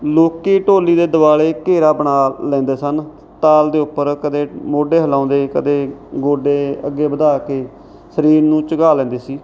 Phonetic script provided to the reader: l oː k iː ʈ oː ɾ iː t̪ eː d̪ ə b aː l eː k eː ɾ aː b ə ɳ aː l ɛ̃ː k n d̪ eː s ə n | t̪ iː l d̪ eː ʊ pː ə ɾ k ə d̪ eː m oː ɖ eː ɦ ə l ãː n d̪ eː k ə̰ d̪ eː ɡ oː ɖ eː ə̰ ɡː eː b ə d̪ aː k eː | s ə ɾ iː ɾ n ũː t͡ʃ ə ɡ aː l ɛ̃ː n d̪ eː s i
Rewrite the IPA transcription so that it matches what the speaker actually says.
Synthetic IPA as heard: l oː k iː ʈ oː l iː d̪ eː d̪ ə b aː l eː k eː ɾ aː b ə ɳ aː l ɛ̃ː n d̪ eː s ə n | t̪ aː l d̪ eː ʊ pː ə ɾ k ə d̪ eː m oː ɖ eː ɦ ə l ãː n d̪ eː k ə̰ d̪ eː ɡ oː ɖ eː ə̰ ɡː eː b ə d̪ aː k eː | s ə ɾ iː ɾ n ũː t͡ʃ ə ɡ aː l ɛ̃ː n d̪ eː s iː